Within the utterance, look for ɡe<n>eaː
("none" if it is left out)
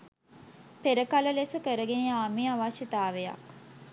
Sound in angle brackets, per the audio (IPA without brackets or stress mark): n